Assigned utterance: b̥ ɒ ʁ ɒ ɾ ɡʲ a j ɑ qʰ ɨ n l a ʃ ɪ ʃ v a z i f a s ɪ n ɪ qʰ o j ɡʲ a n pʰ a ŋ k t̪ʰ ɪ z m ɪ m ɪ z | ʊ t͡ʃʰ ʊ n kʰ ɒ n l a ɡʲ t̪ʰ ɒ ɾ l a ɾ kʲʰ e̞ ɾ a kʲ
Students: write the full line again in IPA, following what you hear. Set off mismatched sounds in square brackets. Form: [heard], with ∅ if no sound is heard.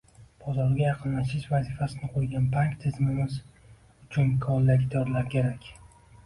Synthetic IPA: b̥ ɒ [z] ɒ ɾ ɡʲ a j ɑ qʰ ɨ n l a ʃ ɪ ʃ v a z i f a s ɪ n ɪ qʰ o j ɡʲ a n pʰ a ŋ k t̪ʰ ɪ z m ɪ m ɪ z | ʊ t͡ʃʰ ʊ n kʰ ɒ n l a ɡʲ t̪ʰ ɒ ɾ l a ɾ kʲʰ e̞ ɾ a kʲ